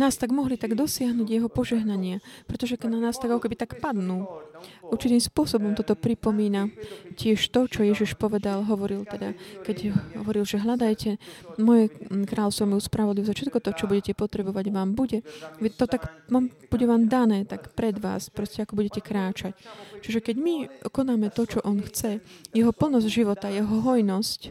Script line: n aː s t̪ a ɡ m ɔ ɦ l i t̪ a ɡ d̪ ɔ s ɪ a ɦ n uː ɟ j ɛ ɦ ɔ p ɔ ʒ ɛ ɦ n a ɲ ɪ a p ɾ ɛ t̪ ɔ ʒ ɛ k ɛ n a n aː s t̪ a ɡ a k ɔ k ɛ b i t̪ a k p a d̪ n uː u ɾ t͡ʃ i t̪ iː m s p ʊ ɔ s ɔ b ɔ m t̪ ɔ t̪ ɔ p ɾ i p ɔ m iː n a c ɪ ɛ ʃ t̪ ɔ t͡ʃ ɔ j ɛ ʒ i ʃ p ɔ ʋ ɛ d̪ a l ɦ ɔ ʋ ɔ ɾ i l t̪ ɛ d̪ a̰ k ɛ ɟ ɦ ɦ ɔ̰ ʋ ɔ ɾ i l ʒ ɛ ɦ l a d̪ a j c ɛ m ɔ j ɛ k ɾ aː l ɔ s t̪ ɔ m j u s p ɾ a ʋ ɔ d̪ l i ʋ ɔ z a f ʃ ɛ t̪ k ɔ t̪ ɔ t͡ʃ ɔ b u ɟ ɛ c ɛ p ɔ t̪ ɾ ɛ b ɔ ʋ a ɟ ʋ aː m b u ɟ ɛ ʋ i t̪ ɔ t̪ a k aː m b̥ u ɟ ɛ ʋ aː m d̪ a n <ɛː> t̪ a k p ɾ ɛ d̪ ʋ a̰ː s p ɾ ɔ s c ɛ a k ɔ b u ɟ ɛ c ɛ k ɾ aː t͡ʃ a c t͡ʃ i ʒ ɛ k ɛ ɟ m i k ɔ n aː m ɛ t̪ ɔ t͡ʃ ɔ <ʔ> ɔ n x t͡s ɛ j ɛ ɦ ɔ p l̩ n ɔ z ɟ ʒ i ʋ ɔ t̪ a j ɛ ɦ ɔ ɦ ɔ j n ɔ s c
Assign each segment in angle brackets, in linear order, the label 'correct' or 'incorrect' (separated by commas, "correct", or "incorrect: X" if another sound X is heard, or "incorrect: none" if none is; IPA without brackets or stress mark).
correct, correct